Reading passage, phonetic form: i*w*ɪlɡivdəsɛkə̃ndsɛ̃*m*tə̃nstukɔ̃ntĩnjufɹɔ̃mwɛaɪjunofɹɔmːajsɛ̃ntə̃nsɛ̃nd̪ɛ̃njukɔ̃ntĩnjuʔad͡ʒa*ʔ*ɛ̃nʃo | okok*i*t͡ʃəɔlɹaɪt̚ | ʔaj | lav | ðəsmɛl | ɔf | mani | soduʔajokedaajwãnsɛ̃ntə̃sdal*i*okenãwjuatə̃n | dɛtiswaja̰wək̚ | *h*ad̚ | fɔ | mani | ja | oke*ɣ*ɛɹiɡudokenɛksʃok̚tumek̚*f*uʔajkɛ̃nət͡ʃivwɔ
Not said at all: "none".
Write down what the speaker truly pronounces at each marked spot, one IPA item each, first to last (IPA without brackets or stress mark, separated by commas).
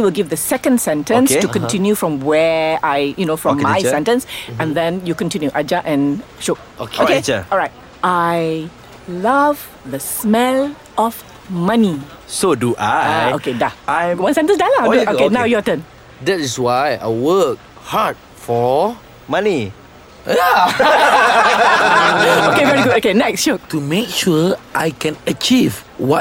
w, n, ʔ, e, a, h, v, ʃ